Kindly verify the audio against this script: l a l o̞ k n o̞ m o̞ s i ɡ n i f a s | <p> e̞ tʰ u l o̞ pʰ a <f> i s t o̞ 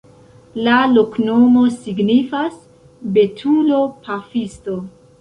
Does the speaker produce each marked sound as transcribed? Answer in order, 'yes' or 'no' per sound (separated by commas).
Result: no, yes